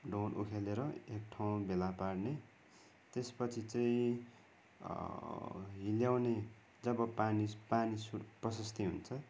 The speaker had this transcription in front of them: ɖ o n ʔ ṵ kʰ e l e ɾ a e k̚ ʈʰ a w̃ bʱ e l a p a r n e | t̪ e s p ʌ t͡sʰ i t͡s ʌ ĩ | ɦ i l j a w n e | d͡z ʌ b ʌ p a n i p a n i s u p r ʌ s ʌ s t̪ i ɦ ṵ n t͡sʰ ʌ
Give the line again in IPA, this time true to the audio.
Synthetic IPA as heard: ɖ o n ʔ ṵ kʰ e l e ɾ ʌ e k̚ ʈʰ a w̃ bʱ e l a p a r n e | t̪ e s p ʌ t͡sʰ i t͡s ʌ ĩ | ɦ i l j a w n e | d͡z ʌ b ʌ p a n i p a n i s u p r ʌ s ʌ s t̪ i ɦ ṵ n t͡sʰ ʌ

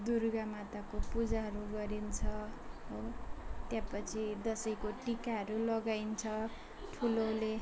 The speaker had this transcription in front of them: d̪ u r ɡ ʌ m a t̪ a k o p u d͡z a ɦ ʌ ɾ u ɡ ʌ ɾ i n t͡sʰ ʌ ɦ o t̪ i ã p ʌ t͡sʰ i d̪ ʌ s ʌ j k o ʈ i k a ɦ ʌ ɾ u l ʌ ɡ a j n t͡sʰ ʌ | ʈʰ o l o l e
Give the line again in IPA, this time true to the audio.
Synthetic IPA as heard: d̪ u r ɡ a m a t̪ a k o p u d͡z a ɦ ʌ ɾ u ɡ ʌ ɾ i n t͡sʰ ʌ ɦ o t̪ j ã p ʌ t͡sʰ i d̪ ʌ s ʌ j k o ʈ i k a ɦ ʌ ɾ u l ʌ ɡ a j n t͡sʰ ʌ | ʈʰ u l o l e

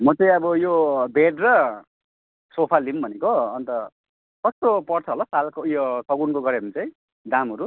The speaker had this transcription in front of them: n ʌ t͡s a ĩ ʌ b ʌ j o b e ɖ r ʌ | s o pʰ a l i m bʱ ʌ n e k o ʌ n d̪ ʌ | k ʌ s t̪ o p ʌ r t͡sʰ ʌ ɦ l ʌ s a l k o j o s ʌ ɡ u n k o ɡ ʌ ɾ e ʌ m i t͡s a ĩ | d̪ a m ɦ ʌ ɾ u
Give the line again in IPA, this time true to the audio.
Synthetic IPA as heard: m ʌ t͡s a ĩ ʌ b ʌ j o b e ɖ r ʌ | s o pʰ a l i m bʱ ʌ n e k o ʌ n t̪ ʌ | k ʌ s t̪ o p ʌ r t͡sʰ ʌ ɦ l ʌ s a l k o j o s ʌ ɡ u n k o ɡ ʌ ɾ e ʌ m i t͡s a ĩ | d̪ a m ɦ ʌ ɾ u

